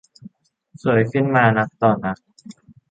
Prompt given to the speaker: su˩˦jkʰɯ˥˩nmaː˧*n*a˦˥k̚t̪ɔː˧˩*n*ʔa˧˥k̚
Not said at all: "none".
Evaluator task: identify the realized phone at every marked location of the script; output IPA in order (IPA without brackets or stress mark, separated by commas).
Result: n, n